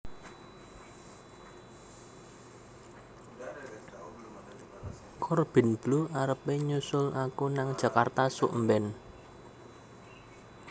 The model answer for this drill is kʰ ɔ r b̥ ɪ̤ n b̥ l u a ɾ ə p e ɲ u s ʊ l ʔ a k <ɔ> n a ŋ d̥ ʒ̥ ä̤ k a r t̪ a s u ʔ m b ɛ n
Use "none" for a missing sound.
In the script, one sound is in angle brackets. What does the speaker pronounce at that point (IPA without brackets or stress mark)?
u